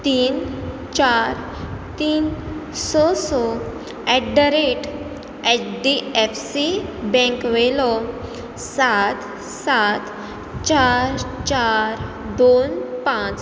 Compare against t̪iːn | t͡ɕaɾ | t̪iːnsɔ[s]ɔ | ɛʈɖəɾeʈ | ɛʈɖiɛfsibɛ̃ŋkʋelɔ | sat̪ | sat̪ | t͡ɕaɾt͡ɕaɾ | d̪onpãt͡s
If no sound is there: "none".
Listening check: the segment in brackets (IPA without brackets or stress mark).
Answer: s